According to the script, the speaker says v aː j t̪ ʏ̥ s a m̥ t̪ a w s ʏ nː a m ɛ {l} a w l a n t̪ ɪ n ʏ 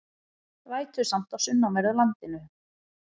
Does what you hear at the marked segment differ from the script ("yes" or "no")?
yes